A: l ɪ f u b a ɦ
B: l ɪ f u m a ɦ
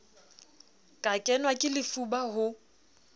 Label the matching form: A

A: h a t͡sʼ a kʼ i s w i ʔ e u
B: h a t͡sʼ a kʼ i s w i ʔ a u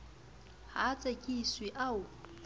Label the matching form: B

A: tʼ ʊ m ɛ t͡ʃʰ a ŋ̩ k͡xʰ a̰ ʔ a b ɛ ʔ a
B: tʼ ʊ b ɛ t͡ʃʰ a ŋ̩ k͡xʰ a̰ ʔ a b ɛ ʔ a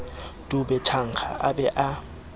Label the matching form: B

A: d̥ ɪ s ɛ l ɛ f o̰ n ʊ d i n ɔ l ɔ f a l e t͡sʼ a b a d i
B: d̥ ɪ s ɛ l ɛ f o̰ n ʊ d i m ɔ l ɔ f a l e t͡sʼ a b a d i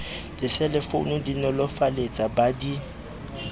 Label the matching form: A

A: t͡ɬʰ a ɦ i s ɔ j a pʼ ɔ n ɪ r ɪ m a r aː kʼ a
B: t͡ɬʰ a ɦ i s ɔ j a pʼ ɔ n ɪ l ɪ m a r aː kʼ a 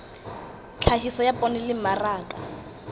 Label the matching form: B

